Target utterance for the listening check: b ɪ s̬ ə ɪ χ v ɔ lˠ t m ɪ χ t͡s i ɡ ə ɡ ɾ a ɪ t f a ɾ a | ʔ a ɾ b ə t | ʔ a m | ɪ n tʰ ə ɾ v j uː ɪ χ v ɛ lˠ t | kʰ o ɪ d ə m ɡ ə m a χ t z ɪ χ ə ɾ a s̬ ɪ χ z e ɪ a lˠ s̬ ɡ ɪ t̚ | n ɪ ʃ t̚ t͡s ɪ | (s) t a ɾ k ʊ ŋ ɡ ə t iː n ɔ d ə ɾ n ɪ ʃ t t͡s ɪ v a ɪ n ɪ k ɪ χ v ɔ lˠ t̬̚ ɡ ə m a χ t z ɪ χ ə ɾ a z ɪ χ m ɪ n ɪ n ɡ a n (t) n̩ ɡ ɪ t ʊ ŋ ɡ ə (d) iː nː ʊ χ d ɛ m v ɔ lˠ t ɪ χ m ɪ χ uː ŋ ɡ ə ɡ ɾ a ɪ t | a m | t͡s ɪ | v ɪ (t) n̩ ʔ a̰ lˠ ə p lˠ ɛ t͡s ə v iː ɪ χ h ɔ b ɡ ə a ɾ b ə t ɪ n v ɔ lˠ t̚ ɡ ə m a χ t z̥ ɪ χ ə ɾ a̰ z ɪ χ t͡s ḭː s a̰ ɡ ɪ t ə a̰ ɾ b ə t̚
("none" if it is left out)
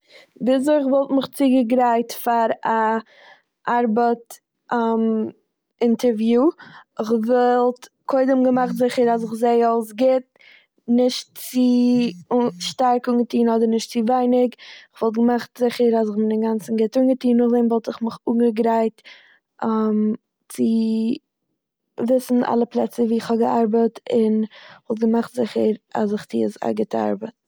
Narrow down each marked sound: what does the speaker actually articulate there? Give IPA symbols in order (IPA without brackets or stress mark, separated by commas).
ʃ, t͡s, t, s